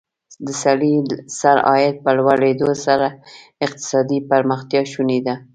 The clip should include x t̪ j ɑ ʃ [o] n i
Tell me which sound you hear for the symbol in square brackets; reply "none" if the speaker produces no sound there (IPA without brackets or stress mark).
u